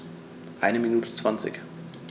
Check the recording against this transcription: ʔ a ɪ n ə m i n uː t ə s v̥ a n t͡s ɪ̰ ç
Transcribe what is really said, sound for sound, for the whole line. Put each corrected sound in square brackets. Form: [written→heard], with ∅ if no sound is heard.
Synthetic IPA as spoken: ʔ a ɪ n ə m i n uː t ə [s→t͡s] v̥ a n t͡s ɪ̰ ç